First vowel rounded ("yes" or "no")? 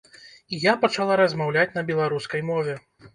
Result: no